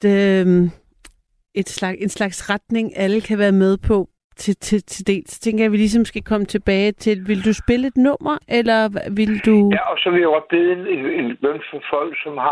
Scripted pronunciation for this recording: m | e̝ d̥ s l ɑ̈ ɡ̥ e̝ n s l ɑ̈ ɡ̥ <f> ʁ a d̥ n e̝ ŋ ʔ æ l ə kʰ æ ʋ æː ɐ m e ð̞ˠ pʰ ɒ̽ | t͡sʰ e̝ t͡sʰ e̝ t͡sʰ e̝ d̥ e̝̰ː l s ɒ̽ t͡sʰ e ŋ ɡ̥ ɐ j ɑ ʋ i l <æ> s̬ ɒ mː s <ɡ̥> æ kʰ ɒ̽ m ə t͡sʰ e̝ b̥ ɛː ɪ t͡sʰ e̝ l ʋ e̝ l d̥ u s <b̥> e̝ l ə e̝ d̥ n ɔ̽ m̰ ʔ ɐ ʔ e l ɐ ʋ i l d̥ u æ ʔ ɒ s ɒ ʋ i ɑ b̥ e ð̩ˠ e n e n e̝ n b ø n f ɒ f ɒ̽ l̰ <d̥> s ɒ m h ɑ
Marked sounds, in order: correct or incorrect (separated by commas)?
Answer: incorrect, incorrect, correct, correct, incorrect